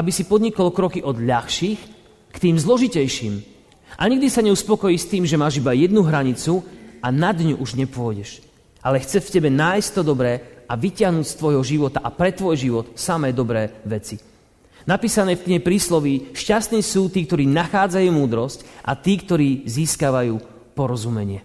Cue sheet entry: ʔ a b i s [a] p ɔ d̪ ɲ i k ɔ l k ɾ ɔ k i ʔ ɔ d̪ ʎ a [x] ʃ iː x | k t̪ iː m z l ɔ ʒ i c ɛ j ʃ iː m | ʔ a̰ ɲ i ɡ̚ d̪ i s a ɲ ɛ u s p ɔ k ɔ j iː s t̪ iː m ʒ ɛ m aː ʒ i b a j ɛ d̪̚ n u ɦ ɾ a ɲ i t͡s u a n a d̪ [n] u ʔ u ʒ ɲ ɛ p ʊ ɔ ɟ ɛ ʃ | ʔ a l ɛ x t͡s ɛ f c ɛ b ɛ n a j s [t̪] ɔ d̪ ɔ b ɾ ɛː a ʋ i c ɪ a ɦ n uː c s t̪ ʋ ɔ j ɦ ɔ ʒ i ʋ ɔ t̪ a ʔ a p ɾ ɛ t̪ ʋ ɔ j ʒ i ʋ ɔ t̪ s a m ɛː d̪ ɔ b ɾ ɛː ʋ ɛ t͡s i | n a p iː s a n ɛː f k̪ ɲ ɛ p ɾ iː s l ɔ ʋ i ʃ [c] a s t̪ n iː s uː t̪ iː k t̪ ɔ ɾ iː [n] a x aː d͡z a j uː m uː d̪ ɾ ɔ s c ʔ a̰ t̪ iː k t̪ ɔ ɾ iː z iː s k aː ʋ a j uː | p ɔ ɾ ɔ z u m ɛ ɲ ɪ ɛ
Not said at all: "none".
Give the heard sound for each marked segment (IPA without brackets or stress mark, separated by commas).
i, x, ɲ, t̪, c, n